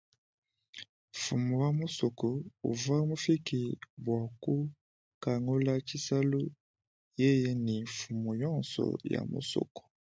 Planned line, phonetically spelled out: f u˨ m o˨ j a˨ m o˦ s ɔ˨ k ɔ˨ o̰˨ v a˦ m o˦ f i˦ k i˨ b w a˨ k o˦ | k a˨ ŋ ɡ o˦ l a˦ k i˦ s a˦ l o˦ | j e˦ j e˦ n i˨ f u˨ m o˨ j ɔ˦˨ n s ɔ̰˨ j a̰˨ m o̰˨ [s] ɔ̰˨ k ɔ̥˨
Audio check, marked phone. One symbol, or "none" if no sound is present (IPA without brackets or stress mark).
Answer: s